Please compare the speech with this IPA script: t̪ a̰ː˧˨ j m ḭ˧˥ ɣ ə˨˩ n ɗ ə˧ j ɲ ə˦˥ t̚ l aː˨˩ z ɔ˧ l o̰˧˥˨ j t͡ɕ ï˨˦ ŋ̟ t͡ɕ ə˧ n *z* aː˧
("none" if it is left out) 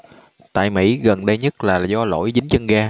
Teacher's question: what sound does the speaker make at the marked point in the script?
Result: ɣ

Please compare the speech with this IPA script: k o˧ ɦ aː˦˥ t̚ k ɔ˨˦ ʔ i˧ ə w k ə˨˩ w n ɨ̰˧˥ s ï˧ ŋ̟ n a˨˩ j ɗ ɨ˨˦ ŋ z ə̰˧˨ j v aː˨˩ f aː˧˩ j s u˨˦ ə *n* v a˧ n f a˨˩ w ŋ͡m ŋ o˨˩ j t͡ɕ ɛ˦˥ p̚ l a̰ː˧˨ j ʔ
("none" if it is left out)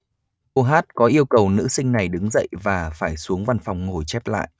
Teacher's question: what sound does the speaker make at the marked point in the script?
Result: ŋ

